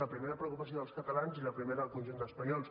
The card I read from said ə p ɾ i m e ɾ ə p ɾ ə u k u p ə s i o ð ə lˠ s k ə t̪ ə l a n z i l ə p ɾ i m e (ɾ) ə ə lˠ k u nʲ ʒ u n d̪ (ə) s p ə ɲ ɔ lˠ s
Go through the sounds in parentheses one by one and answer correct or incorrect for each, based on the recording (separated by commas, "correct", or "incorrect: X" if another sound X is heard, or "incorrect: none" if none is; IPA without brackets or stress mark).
correct, correct